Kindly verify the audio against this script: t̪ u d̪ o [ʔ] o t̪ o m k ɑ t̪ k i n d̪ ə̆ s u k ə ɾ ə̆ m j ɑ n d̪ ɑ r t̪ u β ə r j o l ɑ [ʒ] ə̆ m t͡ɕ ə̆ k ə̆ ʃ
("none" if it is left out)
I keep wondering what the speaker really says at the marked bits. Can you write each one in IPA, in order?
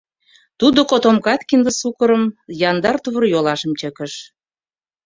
k, ʃ

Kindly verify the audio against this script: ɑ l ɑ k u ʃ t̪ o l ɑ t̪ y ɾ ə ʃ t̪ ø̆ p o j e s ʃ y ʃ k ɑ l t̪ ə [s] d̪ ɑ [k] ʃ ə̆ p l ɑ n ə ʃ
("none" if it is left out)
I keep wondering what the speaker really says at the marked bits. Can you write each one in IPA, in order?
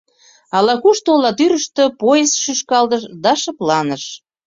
ʃ, none

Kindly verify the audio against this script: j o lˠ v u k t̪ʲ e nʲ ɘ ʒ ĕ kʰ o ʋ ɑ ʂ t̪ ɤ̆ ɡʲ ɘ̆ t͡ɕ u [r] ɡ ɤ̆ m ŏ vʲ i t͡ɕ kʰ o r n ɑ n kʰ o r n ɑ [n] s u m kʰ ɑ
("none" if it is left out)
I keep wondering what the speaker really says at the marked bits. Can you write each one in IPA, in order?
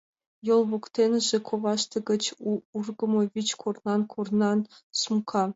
r, n

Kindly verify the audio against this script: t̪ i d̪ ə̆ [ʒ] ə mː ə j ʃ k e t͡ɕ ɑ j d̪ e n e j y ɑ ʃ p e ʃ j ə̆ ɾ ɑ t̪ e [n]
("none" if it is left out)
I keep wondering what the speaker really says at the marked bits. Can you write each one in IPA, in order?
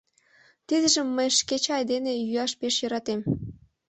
ʒ, m

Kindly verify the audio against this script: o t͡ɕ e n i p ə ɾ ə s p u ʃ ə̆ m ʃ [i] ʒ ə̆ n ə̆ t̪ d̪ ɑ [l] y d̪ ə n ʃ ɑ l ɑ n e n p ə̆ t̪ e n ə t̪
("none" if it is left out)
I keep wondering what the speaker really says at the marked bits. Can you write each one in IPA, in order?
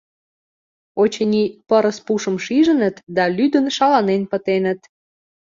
i, l

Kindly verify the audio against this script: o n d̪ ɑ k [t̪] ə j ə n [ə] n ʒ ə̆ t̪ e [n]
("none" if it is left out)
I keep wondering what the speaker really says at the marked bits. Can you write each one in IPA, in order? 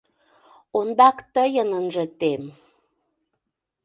t̪, ə, m

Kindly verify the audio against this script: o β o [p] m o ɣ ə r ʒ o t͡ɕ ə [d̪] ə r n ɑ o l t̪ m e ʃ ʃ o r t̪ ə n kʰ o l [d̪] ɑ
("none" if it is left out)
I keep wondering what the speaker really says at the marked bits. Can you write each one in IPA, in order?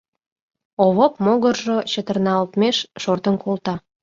p, t̪, t̪

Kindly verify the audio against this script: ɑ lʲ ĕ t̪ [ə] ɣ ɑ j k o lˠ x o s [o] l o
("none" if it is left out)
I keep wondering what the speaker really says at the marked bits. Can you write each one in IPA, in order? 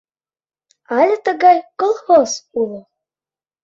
ə, u

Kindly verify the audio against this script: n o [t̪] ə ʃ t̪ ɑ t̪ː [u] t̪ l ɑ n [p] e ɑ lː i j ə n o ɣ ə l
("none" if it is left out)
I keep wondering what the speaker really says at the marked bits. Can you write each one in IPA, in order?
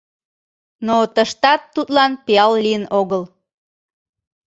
t̪, u, p

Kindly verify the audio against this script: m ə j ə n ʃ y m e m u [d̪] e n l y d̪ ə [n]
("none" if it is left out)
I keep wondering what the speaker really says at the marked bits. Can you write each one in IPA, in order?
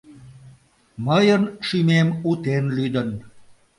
t̪, n

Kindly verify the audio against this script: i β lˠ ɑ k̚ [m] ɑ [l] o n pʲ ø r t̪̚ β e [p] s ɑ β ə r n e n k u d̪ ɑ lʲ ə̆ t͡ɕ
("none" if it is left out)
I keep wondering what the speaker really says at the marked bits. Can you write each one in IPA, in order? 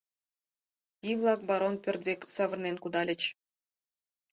b, ɾ, k

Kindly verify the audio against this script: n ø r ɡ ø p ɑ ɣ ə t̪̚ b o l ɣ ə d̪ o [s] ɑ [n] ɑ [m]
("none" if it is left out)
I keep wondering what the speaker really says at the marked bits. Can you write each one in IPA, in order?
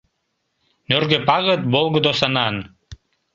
s, n, n

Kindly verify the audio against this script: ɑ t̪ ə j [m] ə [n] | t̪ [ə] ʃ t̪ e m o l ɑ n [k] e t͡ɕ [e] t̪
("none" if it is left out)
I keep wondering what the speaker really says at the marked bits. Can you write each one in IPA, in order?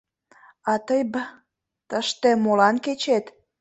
b, none, ə, k, e

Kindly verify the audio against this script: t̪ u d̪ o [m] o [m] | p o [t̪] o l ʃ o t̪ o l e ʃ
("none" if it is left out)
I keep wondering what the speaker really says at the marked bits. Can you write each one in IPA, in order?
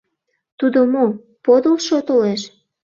m, none, d̪

